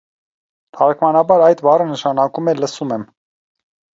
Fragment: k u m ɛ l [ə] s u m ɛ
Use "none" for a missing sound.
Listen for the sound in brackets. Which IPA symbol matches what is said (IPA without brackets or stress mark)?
ə